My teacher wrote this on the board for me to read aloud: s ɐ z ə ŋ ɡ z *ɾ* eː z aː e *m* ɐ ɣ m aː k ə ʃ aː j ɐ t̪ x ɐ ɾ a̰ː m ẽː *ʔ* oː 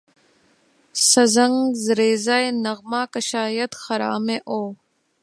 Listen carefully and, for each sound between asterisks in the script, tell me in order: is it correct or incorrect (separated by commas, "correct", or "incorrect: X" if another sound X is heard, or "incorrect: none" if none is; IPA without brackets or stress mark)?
correct, incorrect: n, correct